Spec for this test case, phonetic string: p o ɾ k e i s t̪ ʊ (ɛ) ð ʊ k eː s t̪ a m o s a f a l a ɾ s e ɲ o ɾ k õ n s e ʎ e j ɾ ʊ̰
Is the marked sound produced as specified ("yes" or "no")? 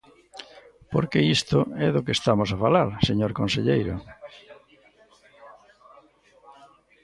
yes